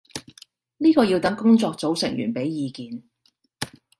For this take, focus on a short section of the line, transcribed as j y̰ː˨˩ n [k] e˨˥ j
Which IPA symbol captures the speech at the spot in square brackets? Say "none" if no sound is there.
p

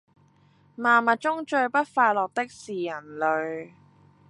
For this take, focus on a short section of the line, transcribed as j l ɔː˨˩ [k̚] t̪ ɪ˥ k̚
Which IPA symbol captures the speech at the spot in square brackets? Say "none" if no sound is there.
k̚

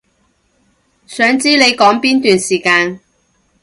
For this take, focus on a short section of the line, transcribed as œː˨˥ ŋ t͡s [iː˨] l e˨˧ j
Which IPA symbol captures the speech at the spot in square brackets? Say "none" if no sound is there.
iː˥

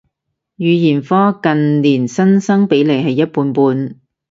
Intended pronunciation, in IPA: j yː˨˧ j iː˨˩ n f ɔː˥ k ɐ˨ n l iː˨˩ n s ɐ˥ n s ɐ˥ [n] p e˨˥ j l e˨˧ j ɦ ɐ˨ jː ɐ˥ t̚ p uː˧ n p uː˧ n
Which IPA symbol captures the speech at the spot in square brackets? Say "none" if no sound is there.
ŋ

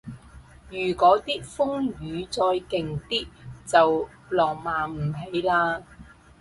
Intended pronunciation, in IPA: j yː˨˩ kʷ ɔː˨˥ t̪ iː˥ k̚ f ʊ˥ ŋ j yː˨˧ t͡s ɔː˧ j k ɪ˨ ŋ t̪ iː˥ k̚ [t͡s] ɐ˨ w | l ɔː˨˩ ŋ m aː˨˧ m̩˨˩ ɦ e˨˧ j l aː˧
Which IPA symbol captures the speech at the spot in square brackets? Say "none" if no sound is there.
t͡s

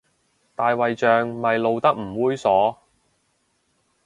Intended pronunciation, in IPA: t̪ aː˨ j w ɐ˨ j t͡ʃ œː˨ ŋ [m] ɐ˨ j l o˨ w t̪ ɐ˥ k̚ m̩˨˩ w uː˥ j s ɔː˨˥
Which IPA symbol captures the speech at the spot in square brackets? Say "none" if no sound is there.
m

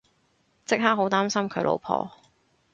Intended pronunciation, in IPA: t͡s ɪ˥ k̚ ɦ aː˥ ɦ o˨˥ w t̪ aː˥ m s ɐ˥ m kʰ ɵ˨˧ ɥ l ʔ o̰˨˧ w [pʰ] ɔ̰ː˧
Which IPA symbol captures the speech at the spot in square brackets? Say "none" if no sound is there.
pʰ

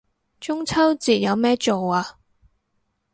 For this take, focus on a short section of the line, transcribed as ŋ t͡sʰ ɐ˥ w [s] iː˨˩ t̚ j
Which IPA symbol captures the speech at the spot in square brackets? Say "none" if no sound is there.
t͡s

